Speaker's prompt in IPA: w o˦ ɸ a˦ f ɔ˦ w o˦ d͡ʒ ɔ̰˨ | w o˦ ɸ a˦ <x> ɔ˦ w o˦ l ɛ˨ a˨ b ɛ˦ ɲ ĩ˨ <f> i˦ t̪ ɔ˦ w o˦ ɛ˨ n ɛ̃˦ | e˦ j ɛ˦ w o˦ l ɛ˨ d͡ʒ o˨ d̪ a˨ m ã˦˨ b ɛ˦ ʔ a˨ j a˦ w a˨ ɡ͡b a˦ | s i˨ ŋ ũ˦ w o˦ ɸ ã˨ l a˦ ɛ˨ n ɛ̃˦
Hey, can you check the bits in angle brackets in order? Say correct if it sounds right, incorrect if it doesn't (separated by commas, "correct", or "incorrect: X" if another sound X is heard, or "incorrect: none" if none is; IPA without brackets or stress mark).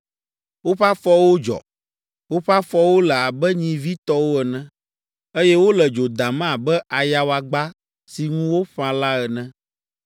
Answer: incorrect: f, incorrect: v